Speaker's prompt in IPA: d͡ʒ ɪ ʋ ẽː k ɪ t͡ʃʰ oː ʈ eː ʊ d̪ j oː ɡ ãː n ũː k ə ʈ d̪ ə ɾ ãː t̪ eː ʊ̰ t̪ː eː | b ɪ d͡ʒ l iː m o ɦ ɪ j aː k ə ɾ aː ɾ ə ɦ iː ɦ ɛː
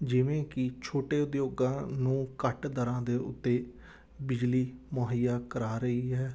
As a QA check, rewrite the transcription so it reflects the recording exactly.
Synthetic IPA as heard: d͡ʒ ɪ ʋ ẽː k ɪ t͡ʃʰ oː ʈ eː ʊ d̪ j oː ɡ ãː n ũː k ə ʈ d̪ ə ɾ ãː d̪ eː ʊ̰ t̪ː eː | b ɪ d͡ʒ l iː m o ɦ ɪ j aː k ə ɾ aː ɾ ə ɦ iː ɦ ɛː